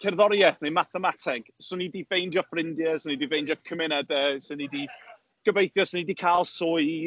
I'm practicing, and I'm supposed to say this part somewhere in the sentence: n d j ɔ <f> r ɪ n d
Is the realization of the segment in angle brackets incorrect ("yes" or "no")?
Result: no